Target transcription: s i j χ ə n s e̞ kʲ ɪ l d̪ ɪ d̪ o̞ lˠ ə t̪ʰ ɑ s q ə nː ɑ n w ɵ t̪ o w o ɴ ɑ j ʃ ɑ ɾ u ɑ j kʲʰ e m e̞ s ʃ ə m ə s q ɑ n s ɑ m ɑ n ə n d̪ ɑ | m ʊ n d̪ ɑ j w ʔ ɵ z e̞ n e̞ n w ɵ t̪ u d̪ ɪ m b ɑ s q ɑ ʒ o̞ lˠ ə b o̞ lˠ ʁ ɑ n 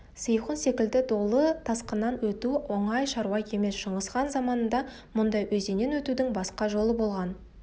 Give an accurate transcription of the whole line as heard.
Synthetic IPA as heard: s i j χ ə n s e̞ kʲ ɪ l d̪ ɪ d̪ o̞ lˠ ə t̪ʰ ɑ s q ə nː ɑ n w ɵ t̪ u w o ɴ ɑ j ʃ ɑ ɾ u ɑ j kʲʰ e m e̞ s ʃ ə ɴ ə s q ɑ n z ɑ m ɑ n ə n d̪ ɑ | m ʊ n d̪ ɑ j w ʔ ɵ z e̞ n e̞ n w ɵ t̪ u d̪ ɪ ŋ b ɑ s q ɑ ʒ o̞ lˠ ə b o̞ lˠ ʁ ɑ n